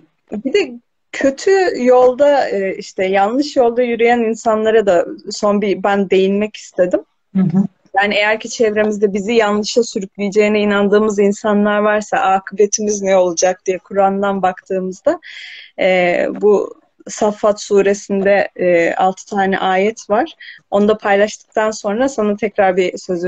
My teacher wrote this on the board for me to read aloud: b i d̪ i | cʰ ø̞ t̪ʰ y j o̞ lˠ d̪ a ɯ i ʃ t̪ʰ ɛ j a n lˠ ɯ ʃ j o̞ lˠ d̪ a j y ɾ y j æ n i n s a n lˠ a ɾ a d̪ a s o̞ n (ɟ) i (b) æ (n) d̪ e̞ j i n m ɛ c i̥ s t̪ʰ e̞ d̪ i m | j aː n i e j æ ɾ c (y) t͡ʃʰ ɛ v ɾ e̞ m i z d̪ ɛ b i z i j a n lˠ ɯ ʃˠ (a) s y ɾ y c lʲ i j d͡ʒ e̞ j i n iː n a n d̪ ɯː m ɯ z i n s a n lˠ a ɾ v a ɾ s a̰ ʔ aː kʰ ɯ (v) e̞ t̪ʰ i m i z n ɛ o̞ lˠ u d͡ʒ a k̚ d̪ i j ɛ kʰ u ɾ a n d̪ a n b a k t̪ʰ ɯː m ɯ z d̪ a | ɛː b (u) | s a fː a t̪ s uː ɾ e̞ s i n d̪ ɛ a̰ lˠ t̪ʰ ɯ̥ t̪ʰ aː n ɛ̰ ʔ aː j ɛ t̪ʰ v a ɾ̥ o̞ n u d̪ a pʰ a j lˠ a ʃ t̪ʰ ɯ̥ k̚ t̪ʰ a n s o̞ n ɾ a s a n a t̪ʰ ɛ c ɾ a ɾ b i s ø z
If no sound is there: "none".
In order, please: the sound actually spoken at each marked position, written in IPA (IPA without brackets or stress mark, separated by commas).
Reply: b, b, n, i, a, b, u